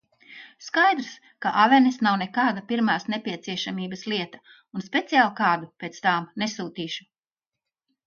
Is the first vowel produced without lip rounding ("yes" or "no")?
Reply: yes